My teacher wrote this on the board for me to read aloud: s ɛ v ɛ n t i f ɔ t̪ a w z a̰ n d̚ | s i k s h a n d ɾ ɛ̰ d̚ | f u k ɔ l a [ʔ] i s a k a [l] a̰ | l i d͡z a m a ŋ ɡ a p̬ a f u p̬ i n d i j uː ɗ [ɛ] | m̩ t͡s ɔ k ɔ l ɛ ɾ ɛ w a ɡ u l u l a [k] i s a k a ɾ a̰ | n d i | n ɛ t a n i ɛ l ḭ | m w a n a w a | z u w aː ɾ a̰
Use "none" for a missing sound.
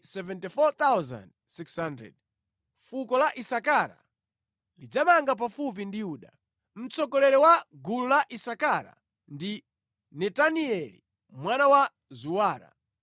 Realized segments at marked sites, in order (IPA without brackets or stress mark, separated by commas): ʔ, ɾ, a, ʔ